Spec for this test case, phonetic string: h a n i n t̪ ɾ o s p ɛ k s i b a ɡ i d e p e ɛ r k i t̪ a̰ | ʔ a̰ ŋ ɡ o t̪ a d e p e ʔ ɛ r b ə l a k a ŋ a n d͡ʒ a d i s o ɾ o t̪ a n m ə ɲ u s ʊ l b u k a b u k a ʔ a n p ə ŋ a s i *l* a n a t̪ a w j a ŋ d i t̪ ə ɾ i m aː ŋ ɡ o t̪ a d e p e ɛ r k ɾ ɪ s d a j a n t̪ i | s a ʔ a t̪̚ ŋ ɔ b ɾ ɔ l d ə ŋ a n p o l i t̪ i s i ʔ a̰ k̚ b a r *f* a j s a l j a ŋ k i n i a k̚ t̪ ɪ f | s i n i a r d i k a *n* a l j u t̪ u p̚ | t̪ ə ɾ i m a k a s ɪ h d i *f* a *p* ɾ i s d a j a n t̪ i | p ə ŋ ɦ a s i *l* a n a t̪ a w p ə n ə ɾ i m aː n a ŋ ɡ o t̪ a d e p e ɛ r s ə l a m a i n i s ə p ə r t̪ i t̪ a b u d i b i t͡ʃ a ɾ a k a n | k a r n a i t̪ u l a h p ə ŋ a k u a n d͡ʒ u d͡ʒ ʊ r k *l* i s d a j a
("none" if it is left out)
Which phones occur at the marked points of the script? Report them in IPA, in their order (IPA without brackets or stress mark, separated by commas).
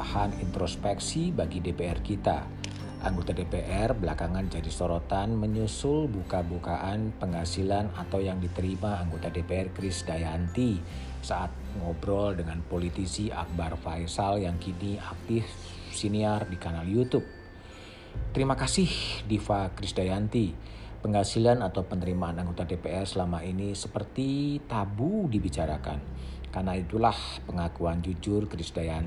l, f, n, f, k, l, ɾ